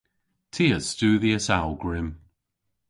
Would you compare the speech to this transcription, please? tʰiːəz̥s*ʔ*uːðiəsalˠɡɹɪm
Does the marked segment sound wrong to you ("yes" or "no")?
yes